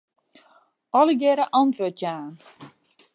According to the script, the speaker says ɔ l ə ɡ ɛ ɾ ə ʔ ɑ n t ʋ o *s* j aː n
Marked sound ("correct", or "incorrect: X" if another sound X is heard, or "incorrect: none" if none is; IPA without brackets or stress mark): incorrect: t